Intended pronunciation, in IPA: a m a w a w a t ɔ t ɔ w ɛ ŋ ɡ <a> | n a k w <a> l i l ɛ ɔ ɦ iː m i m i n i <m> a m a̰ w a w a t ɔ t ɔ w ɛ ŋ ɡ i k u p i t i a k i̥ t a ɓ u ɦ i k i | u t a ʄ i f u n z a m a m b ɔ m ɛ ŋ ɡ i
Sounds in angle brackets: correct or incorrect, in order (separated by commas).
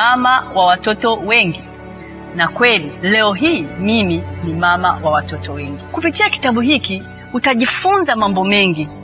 incorrect, incorrect, correct